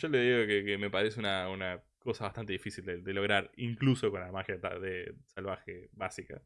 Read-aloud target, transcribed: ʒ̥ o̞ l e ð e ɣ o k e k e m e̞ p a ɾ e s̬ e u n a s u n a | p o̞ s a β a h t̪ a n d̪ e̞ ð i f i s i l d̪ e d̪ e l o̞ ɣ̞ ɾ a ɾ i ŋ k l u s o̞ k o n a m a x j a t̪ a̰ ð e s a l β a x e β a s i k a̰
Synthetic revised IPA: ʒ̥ o̞ l e ð i ɣ o k e k e m e̞ p a ɾ e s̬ e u n a u n a | k o̞ s a β a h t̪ a n t̪ e̞ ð i f i s i l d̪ e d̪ e l o̞ ɣ̞ ɾ a ɾ i ŋ k l u s o̞ k o n a m a x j a t̪ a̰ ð e s a l β a x e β a s i k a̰